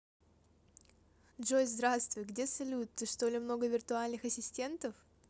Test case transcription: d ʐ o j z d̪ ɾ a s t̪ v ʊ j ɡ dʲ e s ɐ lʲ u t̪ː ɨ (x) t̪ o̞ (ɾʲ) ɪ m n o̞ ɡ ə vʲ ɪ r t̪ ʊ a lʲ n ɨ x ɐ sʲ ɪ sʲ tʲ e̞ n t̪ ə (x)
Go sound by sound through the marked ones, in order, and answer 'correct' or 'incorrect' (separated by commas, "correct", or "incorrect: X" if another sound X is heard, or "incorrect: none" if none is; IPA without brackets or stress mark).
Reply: incorrect: ʂ, incorrect: lʲ, incorrect: f